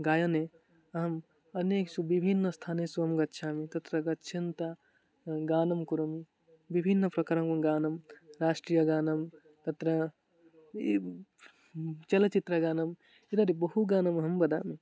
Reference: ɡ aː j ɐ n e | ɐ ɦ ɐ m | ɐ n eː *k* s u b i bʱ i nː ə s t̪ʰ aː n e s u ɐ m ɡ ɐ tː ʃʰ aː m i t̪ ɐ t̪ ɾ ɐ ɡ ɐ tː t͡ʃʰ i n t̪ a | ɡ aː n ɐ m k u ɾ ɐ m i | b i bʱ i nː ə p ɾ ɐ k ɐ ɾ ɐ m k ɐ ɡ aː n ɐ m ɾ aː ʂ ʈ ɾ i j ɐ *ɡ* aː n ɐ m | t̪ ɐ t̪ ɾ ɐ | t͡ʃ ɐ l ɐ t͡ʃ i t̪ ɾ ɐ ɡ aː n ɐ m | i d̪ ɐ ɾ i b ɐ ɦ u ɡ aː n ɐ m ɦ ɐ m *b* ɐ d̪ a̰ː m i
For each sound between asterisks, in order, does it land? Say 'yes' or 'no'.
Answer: yes, yes, yes

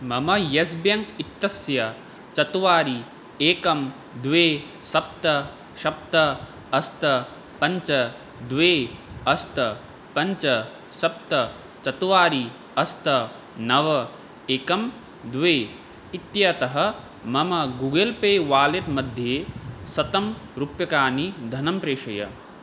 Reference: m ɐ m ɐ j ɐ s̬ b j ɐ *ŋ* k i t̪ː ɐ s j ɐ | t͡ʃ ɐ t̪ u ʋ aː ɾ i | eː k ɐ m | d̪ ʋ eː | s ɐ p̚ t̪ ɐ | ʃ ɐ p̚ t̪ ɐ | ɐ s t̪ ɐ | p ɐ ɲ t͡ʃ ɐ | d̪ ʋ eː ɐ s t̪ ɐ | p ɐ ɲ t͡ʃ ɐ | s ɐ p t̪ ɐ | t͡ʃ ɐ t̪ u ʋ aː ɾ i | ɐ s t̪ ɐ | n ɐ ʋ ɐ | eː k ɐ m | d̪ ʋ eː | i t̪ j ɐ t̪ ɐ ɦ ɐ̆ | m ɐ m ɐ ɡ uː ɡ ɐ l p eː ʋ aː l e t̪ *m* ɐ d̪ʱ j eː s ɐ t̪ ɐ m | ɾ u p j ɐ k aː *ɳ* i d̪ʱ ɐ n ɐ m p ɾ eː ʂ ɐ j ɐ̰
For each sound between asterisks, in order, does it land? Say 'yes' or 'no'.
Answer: yes, yes, no

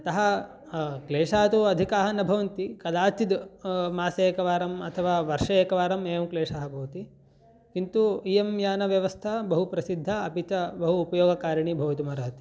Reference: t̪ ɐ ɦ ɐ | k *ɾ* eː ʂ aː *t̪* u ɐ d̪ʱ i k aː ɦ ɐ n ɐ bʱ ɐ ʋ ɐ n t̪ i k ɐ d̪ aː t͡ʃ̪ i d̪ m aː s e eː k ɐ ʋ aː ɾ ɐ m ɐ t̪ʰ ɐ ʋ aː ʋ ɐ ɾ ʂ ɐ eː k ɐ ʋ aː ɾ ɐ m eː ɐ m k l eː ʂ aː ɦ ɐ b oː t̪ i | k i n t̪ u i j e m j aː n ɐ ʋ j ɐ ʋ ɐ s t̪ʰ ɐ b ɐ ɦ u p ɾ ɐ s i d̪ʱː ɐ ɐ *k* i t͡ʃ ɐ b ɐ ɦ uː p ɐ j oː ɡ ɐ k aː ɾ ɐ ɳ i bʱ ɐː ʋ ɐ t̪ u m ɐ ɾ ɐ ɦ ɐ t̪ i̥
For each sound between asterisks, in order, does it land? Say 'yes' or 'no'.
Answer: no, yes, no

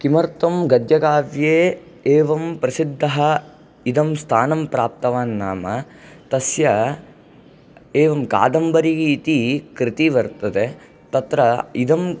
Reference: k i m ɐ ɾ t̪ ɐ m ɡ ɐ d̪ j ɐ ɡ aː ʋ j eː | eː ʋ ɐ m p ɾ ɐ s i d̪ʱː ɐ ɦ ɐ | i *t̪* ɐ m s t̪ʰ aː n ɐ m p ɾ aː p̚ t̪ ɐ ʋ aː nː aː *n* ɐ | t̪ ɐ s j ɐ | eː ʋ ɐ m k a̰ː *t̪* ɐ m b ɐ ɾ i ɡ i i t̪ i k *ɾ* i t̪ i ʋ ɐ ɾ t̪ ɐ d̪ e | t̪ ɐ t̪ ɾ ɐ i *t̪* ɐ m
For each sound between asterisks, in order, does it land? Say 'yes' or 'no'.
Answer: no, no, no, yes, no

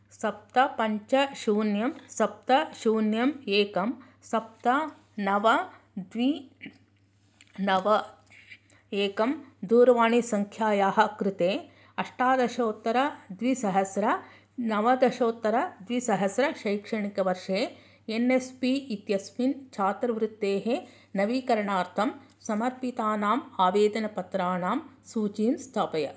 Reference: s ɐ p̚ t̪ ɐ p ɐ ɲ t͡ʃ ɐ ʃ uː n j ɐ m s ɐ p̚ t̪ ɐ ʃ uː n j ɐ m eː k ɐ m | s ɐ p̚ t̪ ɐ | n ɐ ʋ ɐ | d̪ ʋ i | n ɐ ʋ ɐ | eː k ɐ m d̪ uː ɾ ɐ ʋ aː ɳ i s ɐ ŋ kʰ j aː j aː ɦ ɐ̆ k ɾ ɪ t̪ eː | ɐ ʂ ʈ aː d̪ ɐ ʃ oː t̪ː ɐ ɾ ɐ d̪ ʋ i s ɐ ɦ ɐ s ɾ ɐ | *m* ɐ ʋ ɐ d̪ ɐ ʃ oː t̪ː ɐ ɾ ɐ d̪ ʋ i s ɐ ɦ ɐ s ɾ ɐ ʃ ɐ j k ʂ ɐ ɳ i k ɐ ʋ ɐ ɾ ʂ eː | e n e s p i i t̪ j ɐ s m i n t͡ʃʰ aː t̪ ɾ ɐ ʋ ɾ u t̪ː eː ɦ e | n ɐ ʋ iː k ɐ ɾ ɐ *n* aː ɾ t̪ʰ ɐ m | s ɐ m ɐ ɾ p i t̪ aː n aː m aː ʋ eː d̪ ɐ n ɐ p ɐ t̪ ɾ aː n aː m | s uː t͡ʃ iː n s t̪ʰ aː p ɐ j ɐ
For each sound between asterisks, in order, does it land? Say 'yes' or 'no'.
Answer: no, no

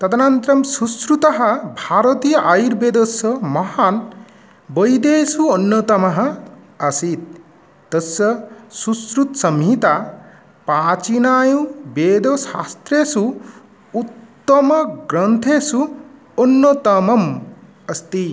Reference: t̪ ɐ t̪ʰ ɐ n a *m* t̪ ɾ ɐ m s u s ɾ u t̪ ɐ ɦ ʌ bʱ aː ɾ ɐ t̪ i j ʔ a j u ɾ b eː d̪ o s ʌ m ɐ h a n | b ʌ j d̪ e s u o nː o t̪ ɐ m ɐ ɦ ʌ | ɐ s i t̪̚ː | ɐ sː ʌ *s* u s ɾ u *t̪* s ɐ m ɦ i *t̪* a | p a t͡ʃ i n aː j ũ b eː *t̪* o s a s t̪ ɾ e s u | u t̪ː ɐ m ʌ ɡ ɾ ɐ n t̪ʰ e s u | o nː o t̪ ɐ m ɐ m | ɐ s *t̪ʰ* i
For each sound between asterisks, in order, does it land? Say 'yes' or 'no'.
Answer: no, yes, yes, yes, no, no

